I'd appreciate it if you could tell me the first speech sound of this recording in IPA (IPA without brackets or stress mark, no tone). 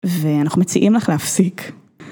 v